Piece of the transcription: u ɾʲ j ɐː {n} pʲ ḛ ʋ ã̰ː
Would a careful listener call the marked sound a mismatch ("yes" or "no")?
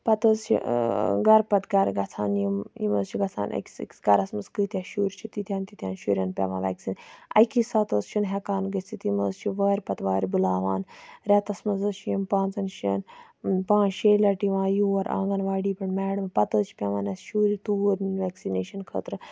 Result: no